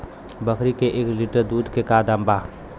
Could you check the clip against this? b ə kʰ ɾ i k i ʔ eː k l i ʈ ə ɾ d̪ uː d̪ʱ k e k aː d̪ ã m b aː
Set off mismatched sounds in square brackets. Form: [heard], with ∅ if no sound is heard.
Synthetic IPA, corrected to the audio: b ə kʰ ɾ i k [e] ʔ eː k l i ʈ ə ɾ d̪ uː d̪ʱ k e k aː d̪ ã m b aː